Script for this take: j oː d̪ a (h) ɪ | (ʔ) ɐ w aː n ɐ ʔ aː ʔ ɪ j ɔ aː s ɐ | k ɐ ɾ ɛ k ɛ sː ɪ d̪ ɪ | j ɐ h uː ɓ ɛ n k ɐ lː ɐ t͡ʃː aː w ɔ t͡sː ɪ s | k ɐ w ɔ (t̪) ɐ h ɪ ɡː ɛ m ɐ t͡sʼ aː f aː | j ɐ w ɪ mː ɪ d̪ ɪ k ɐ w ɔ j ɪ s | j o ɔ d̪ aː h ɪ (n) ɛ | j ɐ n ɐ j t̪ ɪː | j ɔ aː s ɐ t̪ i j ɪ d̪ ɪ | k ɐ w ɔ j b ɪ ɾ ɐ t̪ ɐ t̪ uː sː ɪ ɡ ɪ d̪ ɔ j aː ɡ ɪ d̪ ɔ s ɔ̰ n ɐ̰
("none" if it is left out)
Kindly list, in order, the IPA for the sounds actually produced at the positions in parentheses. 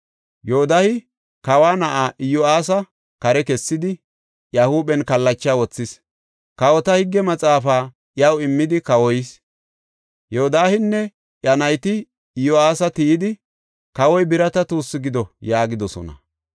h, k, t̪, nː

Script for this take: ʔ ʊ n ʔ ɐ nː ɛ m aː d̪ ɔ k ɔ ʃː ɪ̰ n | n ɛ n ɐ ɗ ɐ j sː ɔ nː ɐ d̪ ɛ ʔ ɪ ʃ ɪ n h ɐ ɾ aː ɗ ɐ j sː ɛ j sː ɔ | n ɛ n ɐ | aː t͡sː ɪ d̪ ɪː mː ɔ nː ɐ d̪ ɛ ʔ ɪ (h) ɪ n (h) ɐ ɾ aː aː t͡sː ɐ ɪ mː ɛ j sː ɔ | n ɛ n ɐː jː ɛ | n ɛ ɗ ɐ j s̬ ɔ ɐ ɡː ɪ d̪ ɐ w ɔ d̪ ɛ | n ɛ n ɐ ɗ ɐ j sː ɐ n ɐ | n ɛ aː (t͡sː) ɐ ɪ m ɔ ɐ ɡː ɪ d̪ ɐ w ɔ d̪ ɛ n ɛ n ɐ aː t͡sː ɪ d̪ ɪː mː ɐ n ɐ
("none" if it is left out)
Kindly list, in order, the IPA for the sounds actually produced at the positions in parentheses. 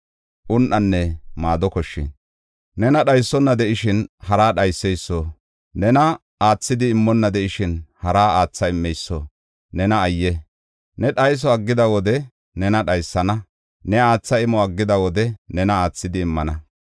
ʃ, h, t͡sː

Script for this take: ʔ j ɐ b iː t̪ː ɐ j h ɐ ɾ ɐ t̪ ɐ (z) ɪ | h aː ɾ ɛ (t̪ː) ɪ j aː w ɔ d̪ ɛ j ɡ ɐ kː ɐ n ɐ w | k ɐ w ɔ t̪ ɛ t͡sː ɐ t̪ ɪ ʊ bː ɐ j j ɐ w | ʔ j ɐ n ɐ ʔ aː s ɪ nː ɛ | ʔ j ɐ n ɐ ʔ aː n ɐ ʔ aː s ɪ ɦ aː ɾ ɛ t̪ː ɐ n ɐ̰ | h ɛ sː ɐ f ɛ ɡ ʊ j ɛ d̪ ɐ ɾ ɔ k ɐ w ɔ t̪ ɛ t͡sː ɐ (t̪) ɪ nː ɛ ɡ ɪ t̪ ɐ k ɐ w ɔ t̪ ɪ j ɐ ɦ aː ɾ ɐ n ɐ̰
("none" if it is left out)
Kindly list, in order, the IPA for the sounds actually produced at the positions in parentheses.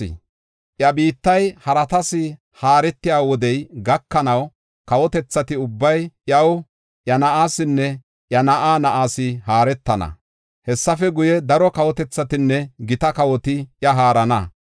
s, t̪ː, t̪

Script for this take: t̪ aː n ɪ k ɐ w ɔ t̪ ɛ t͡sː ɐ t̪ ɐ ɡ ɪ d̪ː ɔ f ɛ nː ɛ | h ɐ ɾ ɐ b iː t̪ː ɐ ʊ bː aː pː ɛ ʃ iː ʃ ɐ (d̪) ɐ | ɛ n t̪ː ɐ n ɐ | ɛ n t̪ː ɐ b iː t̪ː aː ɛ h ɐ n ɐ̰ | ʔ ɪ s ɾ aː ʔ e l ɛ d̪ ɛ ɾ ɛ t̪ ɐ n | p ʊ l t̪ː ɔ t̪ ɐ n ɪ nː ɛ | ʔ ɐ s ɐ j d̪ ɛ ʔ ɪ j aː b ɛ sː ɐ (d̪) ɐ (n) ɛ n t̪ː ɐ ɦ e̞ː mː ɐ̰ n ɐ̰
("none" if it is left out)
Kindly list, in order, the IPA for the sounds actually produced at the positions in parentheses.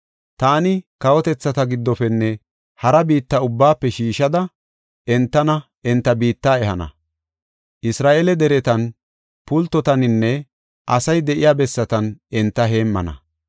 d̪, t̪, n

